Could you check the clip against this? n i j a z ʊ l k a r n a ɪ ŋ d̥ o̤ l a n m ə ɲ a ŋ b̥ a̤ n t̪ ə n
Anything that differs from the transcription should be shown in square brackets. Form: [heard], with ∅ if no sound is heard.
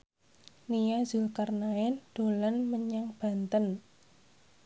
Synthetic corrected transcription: n i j a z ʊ l k a r n a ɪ [n] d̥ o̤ l a n m ə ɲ a ŋ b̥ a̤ n t̪ ə n

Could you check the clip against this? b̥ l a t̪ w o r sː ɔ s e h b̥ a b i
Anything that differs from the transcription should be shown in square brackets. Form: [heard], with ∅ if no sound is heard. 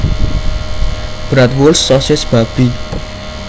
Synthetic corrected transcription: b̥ [ɾ] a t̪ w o [l] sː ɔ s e [s] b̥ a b i

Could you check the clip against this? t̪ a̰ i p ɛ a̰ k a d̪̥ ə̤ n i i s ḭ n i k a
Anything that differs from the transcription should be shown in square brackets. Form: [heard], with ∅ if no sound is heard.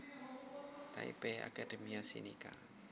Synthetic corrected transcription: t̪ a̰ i p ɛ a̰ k a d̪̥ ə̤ [m] i [a] s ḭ n i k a

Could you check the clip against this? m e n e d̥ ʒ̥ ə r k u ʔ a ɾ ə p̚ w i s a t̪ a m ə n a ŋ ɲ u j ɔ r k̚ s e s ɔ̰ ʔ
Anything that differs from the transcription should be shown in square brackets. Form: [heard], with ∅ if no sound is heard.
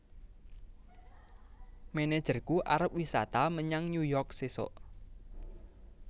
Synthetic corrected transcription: m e n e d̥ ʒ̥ ə r k u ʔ a ɾ ə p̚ w i s a t̪ a m ə [ɲ] a ŋ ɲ u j ɔ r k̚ s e s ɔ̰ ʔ

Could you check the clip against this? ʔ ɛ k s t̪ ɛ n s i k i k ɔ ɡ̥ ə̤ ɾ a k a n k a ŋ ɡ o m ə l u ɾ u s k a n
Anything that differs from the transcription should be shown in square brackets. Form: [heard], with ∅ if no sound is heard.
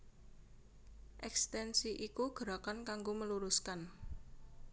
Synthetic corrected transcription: ʔ ɛ k s t̪ ɛ n s i [ʔ] i k [u] ɡ̥ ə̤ ɾ a k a n k a ŋ ɡ o m ə l u ɾ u s k a n

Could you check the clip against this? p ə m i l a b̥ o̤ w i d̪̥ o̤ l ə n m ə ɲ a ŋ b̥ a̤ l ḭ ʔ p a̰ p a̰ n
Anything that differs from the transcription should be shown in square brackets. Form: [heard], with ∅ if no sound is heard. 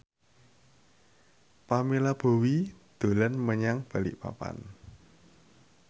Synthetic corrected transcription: p [a] m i l a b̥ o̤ w i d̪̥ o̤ l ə n m ə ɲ a ŋ b̥ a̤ l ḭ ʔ p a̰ p a̰ n

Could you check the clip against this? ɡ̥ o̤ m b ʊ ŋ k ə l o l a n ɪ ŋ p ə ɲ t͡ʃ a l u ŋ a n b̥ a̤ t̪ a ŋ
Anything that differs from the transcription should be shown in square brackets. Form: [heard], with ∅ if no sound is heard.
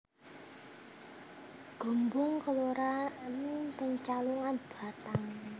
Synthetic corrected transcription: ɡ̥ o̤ m b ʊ ŋ k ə l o [ɾ] a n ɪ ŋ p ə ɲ t͡ʃ a l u ŋ a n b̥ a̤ t̪ a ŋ

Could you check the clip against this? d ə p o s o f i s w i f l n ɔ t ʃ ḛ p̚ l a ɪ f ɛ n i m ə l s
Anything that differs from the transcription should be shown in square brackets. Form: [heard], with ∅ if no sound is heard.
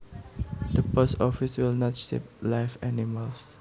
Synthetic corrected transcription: d ə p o s [ɔ] f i s w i [∅] l n ɔ t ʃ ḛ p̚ l a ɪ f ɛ n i m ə l s

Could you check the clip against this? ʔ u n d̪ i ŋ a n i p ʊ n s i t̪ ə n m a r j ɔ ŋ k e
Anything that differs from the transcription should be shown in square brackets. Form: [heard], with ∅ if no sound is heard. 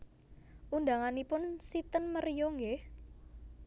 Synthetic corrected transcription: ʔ u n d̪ [a] ŋ a n i p ʊ n s i t̪ ə n m [ə] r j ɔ ŋ [ɡ] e

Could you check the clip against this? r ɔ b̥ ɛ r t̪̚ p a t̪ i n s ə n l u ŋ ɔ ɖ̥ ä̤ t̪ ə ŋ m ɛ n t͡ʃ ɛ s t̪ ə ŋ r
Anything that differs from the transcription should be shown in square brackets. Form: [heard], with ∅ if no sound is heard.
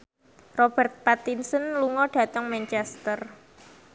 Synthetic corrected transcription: r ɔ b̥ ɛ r t̪̚ p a t̪ i n s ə n l u ŋ ɔ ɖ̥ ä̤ t̪ ə ŋ m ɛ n t͡ʃ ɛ s t̪ ə [∅] r

